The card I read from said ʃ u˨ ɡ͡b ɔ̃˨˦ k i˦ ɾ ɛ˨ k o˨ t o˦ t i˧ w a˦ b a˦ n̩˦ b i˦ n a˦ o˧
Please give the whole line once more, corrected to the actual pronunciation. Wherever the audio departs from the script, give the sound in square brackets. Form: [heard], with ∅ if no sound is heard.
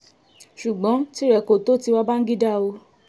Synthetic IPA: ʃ u˨ ɡ͡b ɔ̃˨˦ [t] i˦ ɾ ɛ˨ k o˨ t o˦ t i˧ w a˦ b a˦ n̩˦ [ɡ] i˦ [d] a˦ o˧